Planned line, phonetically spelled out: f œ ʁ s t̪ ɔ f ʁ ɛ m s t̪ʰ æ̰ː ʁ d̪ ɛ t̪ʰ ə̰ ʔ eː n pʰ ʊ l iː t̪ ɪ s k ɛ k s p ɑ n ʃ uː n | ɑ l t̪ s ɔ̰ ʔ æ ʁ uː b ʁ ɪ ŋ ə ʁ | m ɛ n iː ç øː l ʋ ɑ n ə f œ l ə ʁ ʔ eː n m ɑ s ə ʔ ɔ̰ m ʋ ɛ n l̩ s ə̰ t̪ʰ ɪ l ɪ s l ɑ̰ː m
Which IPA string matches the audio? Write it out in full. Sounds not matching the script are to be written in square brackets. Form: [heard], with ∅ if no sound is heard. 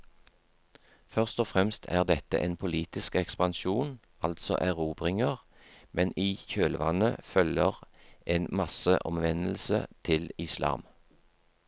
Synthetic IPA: f œ ʁ s t̪ ɔ f ʁ ɛ m s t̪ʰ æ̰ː ʁ d̪ ɛ [t̪] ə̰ ʔ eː n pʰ ʊ l iː t̪ ɪ s k ɛ k s p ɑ n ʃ uː n | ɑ l t̪ s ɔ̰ ʔ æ ʁ uː b ʁ ɪ ŋ ə ʁ | m ɛ n iː ç øː l ʋ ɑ n ə f œ l ə ʁ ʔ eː n m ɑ s ə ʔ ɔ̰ m ʋ ɛ n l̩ s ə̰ t̪ʰ ɪ l ɪ s l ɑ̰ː m